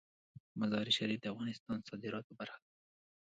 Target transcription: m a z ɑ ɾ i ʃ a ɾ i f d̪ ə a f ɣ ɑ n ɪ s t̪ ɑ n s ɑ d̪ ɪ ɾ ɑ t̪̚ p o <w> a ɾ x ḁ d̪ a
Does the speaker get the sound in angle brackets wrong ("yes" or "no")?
yes